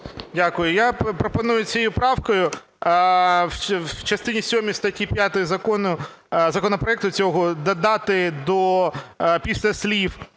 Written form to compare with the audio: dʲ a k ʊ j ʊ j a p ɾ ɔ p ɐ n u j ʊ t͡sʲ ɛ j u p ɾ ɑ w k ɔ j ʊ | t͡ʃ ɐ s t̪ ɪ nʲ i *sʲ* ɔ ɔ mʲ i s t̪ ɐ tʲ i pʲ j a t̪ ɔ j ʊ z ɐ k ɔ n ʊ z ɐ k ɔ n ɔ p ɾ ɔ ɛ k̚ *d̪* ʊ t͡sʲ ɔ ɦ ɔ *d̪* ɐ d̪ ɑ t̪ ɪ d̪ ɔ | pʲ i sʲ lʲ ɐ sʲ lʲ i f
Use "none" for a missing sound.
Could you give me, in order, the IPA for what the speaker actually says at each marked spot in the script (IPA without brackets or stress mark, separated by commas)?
sʲ, t̪, d̪